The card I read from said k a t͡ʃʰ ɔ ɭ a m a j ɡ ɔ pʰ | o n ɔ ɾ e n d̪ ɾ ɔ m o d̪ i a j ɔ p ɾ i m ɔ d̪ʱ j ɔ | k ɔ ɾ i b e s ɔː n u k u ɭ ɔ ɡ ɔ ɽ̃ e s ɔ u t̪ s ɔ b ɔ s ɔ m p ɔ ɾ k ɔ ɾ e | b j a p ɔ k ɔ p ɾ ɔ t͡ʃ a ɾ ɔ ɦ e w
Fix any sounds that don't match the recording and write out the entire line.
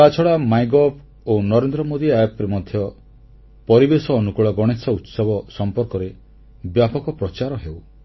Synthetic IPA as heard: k a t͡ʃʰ ɔ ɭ a m a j ɡ ɔ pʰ | o n ɔ ɾ e n d̪ ɾ ɔ m o d̪ i a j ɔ p ɾ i m ɔ d̪ʱ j ɔ | p ɔ ɾ i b e s ɔː n u k u ɭ ɔ ɡ ɔ ɽ̃ e s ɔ u t̪ s ɔ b ɔ s ɔ m p ɔ ɾ k ɔ ɾ e | b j a p ɔ k ɔ p ɾ ɔ t͡ʃ a ɾ ɔ ɦ e w